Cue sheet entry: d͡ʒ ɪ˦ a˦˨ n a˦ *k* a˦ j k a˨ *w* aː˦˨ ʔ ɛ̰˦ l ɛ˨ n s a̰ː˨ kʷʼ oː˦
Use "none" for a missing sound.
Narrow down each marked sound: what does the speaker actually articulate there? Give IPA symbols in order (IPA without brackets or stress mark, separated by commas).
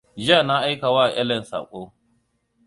ʔ, w